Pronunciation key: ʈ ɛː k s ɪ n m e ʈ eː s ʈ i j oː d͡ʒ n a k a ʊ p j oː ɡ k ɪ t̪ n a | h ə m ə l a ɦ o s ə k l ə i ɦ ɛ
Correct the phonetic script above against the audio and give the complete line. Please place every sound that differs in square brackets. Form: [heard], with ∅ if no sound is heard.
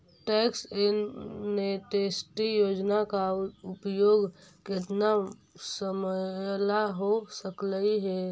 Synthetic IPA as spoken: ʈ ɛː k s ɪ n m e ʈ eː s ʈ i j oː d͡ʒ n a k a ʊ p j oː ɡ k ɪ t̪ n a | [s] ə m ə l a ɦ o s ə k l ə i ɦ ɛ